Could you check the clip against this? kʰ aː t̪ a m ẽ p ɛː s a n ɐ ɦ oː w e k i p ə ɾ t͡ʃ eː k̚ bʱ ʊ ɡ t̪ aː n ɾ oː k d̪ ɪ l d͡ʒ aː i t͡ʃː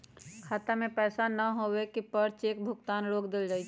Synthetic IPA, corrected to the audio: kʰ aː t̪ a m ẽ p ɛː s a n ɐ ɦ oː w e k i p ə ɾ t͡ʃ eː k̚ bʱ ʊ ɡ t̪ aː n ɾ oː k d̪ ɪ l d͡ʒ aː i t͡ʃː